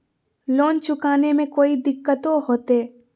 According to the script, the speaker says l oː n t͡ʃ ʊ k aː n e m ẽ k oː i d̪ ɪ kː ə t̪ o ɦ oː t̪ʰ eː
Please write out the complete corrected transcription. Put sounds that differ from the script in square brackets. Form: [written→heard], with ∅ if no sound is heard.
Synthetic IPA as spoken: l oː n t͡ʃ ʊ k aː n e m ẽ k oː i d̪ ɪ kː ə t̪ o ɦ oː [t̪ʰ→t̪] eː